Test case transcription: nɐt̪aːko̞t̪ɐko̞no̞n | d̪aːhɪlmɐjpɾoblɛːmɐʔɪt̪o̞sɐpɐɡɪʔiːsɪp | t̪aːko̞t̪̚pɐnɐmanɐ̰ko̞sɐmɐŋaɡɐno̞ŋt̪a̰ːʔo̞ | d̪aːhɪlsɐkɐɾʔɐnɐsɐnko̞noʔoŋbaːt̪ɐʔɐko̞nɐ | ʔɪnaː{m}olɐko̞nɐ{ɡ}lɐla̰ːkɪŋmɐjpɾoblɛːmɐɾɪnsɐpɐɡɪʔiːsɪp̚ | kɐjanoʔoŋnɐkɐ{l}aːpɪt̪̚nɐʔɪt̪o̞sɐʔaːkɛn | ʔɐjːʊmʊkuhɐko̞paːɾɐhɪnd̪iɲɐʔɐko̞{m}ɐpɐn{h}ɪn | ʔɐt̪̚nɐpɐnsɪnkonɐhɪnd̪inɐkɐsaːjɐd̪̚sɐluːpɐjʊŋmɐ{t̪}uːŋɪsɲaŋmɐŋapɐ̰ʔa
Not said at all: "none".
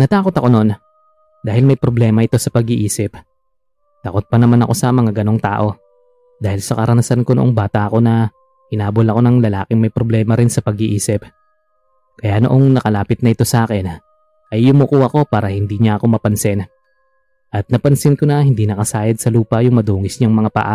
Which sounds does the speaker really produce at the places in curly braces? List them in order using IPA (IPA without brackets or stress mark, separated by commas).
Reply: b, ŋ, l, m, s, d̪